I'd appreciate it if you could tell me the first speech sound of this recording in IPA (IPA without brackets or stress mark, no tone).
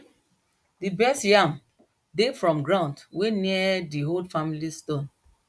d